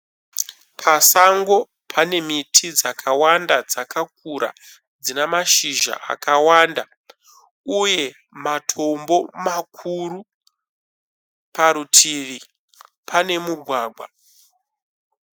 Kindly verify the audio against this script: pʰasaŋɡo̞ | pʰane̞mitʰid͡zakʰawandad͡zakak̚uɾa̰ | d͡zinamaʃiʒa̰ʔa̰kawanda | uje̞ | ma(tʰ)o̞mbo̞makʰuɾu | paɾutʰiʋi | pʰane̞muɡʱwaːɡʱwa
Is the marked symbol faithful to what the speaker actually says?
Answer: yes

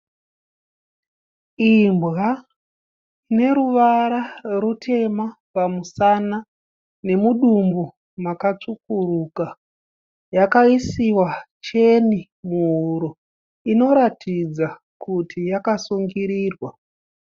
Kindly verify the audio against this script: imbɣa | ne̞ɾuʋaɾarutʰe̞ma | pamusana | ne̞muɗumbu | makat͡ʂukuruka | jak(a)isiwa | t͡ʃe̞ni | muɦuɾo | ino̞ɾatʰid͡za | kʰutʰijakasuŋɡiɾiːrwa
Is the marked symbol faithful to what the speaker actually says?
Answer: yes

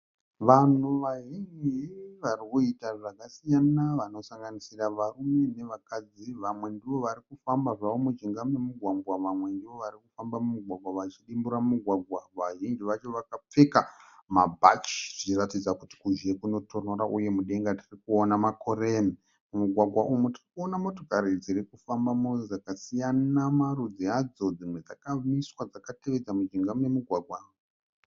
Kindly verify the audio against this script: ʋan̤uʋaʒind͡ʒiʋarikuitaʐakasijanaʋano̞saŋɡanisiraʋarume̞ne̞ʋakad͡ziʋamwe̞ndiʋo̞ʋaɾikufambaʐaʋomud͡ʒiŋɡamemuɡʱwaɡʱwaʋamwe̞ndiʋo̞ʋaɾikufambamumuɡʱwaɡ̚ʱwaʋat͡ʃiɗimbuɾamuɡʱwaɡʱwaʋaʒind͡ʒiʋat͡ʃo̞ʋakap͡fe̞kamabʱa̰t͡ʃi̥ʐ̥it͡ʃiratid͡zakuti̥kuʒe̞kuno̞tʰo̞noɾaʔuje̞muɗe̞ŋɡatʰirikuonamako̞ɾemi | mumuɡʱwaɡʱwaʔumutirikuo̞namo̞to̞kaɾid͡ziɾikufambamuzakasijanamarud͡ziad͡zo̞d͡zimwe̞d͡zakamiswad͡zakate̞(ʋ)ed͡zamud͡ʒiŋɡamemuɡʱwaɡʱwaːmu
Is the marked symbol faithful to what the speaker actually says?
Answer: yes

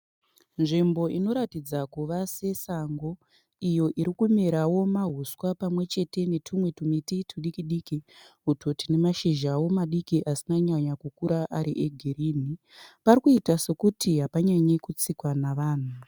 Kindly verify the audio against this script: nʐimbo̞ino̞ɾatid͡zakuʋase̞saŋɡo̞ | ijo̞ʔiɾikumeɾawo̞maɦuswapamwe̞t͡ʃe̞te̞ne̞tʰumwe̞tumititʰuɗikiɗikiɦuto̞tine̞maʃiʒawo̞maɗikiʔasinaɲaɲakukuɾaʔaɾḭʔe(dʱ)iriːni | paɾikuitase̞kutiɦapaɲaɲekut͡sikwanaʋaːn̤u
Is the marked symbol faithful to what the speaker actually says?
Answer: no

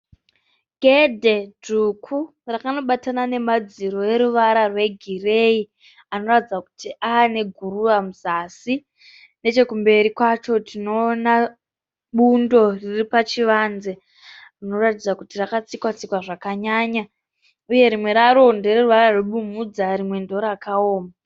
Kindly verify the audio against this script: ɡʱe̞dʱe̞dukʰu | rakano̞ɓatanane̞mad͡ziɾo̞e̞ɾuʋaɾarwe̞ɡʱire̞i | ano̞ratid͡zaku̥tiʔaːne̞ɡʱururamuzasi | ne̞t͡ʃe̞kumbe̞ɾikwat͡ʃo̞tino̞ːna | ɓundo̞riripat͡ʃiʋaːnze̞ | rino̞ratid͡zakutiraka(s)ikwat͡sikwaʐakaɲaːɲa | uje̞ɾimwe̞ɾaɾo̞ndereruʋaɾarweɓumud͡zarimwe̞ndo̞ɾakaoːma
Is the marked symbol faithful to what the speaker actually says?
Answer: no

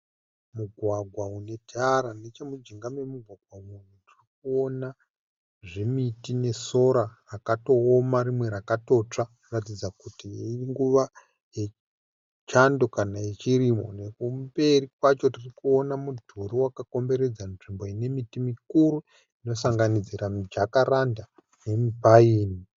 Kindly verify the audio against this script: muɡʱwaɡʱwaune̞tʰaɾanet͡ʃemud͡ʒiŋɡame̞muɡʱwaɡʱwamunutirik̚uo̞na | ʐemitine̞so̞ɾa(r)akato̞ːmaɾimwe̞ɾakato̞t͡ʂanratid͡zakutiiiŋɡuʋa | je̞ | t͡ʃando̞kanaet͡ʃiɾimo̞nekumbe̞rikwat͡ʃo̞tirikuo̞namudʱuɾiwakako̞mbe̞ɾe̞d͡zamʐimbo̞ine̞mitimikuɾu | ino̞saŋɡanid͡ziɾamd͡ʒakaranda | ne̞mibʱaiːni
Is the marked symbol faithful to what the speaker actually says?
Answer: yes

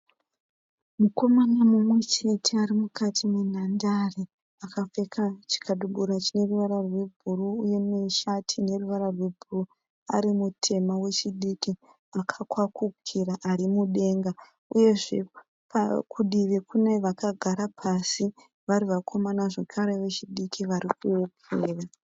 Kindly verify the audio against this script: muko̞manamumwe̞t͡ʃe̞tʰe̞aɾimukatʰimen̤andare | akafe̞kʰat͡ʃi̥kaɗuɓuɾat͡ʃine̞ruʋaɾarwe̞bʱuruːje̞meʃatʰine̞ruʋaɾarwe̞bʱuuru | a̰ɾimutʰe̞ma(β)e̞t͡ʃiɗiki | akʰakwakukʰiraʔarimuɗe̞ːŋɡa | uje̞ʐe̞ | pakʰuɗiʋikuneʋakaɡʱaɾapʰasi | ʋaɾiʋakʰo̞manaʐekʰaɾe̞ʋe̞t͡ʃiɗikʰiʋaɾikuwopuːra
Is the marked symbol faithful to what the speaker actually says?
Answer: no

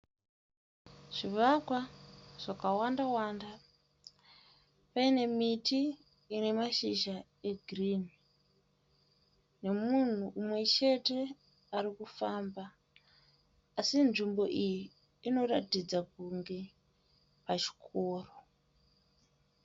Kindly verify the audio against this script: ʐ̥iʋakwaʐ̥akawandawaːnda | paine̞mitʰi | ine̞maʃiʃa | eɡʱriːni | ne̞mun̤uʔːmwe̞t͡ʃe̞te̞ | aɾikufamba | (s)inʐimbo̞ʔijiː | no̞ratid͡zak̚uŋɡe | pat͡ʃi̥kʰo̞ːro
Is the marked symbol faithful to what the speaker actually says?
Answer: yes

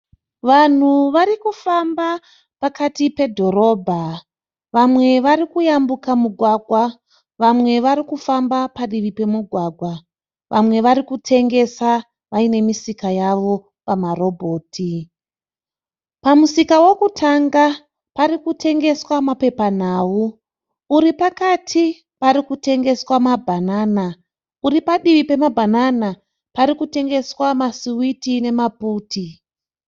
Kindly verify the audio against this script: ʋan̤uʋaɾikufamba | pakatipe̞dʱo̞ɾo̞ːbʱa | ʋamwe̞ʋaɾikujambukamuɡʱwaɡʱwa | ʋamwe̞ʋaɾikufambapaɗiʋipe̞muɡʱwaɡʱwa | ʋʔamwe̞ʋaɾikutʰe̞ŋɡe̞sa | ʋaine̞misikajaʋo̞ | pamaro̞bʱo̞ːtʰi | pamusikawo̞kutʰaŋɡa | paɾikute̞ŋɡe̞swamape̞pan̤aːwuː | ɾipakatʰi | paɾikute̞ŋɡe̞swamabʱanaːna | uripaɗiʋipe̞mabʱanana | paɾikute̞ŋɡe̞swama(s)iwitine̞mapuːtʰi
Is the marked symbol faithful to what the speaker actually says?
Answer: yes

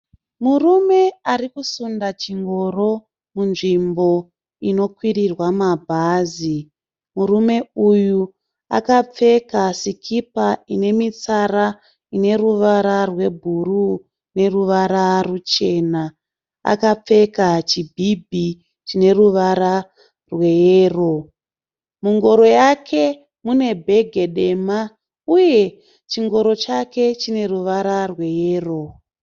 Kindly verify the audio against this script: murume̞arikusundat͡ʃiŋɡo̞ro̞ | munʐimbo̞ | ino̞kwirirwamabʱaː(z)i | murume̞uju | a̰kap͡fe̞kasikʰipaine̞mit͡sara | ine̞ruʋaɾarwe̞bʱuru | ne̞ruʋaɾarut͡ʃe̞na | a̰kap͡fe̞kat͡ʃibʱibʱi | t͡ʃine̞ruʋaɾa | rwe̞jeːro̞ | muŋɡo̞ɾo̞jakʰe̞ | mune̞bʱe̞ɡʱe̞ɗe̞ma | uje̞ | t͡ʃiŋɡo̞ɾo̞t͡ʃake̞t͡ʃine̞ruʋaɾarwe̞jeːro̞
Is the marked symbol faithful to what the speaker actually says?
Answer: yes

